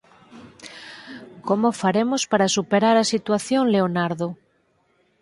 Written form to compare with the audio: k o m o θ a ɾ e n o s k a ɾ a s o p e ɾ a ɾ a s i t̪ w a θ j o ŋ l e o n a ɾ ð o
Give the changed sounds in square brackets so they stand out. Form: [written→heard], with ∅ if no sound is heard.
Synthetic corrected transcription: k o m o [θ→f] a ɾ e [n→m] o s [k→p] a ɾ a s [o→u] p e ɾ a ɾ a s i t̪ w a θ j o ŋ l e o n a ɾ ð o